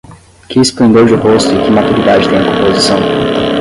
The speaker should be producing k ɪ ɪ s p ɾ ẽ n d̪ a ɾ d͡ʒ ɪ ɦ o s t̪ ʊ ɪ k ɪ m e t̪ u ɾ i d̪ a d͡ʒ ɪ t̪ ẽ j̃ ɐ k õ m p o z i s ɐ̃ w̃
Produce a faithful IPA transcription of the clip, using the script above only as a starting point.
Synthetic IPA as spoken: k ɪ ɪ s p l ẽ n d̪ e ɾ d͡ʒ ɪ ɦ o s t̪ ʊ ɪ k ɪ m a t̪ u ɾ i d̪ a d͡ʒ ɪ t̪ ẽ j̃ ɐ k õ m p o z i s ɐ̃ w̃